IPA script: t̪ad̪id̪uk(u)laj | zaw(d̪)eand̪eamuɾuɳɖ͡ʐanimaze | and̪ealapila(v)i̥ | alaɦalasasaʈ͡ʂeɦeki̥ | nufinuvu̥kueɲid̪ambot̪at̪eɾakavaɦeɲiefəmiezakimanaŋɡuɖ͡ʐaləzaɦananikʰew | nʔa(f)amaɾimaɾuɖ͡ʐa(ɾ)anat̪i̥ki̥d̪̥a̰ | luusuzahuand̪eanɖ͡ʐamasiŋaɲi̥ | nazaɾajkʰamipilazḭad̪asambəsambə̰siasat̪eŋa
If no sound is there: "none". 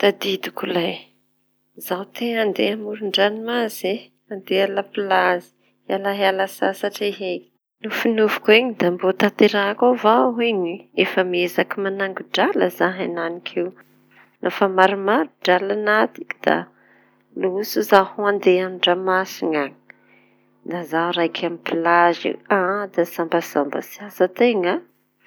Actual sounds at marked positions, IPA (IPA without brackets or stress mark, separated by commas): u, t̪, z, f, l